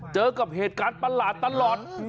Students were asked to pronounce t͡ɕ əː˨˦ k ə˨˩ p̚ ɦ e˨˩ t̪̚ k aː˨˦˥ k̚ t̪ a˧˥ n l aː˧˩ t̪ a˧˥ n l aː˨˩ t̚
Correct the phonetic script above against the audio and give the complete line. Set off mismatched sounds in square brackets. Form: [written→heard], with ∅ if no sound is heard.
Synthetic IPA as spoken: t͡ɕ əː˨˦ k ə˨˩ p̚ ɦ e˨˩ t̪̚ k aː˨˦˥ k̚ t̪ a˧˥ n l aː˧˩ t̪ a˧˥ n l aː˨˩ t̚